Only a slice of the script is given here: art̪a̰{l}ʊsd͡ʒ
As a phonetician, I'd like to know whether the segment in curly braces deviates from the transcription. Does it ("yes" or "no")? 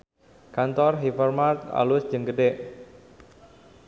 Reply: no